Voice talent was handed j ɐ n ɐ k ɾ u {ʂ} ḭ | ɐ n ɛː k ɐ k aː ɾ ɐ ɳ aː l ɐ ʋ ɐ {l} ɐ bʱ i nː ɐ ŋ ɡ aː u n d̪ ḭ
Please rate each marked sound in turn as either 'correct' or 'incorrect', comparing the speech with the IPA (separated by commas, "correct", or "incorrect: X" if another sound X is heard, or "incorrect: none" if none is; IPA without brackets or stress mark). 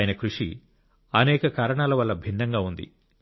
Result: correct, incorrect: lː